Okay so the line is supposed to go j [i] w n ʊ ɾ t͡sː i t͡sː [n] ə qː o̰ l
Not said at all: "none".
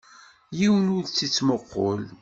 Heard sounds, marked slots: i, m

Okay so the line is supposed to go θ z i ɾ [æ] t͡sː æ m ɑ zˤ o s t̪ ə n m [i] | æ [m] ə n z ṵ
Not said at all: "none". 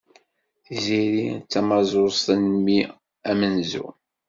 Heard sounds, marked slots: i, i, m

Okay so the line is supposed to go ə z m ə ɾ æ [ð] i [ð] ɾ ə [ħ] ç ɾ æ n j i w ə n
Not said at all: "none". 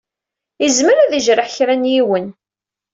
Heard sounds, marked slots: ð, ʒ, ħ

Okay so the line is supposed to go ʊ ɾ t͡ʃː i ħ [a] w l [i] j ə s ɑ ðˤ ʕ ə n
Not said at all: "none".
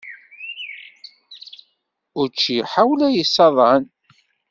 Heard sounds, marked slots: a, æ

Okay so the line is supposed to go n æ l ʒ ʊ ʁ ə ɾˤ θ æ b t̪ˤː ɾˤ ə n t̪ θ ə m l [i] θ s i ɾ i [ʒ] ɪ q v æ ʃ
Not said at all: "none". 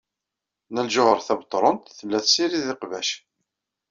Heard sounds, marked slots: æ, ð

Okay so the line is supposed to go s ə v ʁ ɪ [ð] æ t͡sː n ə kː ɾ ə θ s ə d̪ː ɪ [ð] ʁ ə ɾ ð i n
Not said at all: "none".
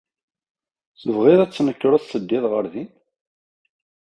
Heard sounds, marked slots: ð, ð

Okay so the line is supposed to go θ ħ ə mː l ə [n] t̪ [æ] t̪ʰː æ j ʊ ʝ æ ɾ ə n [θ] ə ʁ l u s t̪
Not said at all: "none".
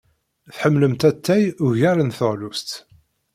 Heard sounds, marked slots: m, æ, θ

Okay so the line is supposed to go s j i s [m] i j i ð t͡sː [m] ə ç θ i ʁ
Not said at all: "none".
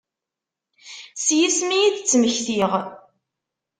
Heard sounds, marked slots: m, m

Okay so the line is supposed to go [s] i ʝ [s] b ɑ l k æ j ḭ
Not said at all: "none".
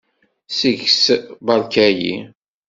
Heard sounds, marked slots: s, s

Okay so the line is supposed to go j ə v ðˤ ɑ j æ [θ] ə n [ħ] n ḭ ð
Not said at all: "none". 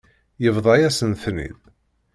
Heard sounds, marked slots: s, θ

